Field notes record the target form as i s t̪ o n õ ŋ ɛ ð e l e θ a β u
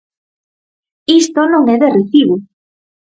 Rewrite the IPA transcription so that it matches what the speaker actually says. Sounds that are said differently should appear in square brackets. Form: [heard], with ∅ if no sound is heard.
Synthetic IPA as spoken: i s t̪ o n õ ŋ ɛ ð e [r] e θ [i] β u